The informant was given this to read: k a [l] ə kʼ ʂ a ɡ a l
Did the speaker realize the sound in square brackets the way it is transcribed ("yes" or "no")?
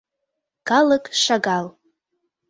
yes